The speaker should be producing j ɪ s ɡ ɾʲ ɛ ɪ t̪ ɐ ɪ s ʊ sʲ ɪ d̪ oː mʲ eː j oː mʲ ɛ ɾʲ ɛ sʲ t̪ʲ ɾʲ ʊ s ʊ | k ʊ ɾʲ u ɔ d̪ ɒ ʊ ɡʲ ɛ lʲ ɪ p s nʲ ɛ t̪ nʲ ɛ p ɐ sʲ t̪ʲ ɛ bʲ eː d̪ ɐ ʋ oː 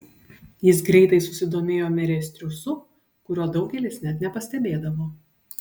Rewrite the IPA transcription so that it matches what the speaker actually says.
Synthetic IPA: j ɪ s ɡ ɾʲ ɛ ɪ t̪ ɐ ɪ s ʊ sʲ ɪ d̪ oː mʲ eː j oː mʲ ɛ ɾʲ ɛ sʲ t̪ʲ ɾʲ ʊ s ʊ | k ʊ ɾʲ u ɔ d̪ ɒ ʊ ɡʲ ɛ lʲ ɪ s nʲ ɛ t̪ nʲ ɛ p ɐ sʲ t̪ʲ ɛ bʲ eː d̪ ɐ ʋ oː